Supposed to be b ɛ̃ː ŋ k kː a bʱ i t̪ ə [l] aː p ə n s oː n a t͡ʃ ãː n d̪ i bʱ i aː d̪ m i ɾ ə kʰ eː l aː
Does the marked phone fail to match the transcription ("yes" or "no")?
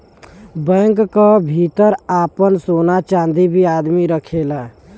yes